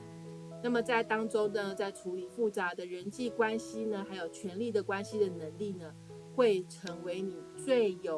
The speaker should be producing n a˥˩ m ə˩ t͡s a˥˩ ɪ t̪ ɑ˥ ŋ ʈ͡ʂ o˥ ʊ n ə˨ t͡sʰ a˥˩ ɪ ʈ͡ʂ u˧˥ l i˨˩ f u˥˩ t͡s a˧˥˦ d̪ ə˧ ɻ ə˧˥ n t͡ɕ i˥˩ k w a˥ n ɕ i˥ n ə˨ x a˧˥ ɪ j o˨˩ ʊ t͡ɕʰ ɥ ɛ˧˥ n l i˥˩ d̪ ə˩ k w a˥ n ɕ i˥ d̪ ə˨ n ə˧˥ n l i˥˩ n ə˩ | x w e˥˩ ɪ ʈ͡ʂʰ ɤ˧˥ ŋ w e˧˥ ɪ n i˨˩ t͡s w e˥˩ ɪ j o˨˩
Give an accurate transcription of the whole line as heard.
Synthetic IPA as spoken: n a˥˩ m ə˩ t͡s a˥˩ ɪ t̪ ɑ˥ ŋ ʈ͡ʂ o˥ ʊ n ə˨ t͡s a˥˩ ɪ ʈ͡ʂʰ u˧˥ l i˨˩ f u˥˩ t͡s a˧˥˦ d̪ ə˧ ɻ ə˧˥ n t͡ɕ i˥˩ k w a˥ n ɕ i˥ n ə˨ x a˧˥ ɪ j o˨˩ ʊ t͡ɕʰ ɥ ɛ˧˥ n l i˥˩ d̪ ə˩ k w a˥ n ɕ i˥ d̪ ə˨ n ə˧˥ ŋ l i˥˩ n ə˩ | x w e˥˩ ɪ ʈ͡ʂʰ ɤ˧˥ ŋ w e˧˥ ɪ n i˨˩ t͡s w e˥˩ ɪ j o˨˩